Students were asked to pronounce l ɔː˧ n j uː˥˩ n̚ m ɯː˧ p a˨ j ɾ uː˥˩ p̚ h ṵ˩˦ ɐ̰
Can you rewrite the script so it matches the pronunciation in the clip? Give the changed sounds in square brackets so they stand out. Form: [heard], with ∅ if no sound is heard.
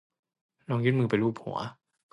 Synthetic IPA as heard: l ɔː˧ [ŋ] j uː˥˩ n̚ m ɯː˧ p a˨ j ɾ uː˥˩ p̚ h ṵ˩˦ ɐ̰